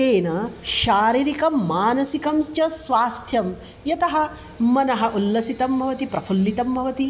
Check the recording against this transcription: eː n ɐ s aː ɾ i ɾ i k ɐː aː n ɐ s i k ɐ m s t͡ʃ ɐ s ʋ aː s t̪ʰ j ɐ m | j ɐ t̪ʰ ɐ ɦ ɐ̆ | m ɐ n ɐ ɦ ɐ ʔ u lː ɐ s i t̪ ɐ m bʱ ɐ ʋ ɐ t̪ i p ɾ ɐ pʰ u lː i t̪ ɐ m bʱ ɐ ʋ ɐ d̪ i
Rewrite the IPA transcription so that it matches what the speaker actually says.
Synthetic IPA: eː n ɐ ʃ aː ɾ i ɾ i k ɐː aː n ɐ s i k ɐ m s t͡ʃ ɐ s ʋ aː s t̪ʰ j ɐ m | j ɐ t̪ ɐ ɦ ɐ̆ | m ɐ n ɐ ɦ ɐ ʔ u lː ɐ s i t̪ ɐ m bʱ ɐ ʋ ɐ t̪ i p ɾ ɐ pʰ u lː i t̪ ɐ m bʱ ɐ ʋ ɐ t̪ i